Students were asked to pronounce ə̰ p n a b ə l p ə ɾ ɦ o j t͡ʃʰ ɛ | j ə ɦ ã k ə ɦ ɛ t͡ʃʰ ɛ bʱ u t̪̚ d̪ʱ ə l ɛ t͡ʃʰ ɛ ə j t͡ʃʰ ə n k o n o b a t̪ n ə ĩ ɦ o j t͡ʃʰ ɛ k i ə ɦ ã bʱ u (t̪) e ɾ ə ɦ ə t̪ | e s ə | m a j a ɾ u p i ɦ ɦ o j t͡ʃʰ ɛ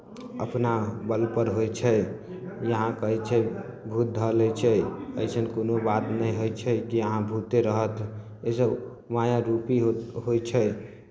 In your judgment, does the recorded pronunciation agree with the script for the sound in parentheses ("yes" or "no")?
yes